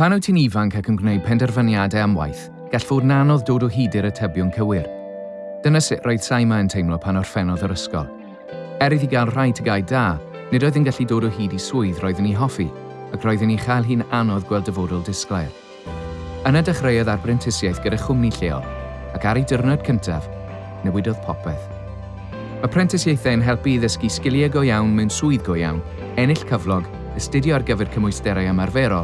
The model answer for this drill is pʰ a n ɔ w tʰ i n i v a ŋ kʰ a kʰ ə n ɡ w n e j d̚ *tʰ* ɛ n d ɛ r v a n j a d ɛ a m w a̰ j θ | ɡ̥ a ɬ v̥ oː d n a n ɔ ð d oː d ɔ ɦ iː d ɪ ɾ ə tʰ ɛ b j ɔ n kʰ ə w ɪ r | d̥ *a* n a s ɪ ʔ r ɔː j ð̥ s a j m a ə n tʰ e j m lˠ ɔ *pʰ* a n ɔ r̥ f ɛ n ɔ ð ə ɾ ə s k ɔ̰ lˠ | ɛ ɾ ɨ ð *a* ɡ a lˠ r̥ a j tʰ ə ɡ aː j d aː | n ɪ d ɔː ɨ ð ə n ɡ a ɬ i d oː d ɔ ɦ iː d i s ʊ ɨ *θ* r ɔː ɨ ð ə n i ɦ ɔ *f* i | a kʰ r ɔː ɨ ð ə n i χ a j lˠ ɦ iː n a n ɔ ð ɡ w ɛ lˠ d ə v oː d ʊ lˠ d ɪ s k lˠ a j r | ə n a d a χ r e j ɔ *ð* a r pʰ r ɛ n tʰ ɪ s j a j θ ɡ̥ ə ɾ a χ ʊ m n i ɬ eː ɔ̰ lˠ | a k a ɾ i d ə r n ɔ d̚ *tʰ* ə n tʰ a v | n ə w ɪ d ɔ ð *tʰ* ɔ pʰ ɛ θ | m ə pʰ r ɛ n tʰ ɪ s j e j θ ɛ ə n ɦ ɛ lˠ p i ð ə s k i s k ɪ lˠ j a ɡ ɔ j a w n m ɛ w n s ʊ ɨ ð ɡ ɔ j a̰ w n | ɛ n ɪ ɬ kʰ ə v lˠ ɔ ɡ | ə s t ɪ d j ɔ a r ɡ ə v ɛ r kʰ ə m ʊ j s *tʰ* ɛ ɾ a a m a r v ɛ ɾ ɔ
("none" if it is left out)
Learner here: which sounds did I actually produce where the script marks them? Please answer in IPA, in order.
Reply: pʰ, ə, pʰ, i, ð, f, ð, kʰ, pʰ, t

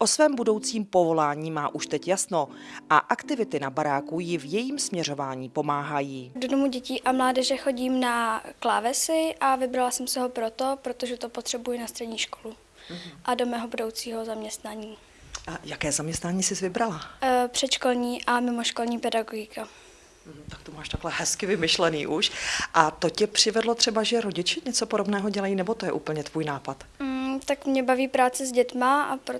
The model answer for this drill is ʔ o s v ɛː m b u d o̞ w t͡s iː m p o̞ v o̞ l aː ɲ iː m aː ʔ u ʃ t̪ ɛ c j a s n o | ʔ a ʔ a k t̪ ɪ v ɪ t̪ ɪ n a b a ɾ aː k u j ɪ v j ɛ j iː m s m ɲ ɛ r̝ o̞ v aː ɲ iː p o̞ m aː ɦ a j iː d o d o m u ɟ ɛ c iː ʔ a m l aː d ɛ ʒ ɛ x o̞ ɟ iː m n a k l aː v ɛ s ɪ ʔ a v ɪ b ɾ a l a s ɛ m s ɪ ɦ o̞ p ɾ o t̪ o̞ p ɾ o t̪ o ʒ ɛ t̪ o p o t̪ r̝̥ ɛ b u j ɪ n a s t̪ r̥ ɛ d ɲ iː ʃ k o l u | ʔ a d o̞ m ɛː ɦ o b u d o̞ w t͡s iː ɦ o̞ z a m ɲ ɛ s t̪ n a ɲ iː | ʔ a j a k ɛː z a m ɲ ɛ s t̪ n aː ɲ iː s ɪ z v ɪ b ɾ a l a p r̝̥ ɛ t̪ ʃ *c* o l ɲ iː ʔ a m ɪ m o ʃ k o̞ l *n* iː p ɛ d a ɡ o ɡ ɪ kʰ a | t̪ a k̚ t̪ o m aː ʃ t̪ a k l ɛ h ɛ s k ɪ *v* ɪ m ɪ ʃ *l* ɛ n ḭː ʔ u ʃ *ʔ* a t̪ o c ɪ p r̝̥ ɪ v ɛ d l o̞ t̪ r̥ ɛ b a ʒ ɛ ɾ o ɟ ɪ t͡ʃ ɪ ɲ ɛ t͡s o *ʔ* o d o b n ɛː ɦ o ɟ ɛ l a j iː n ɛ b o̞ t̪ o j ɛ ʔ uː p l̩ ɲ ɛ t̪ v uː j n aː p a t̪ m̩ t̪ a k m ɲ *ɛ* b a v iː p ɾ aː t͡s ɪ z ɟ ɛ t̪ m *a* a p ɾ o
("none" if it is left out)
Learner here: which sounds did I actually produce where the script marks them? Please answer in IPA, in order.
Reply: k, ɲ, v, l, ʔ, p, ɛ, a

